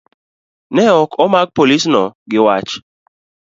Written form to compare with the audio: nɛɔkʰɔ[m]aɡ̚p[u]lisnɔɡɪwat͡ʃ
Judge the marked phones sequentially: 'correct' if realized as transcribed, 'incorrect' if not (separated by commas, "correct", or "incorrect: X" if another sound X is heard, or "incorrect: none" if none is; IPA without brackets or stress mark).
correct, incorrect: o